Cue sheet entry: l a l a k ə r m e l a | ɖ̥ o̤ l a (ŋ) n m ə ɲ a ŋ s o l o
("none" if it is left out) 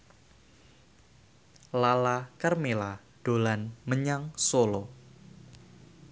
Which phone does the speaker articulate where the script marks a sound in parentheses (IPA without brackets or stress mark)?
none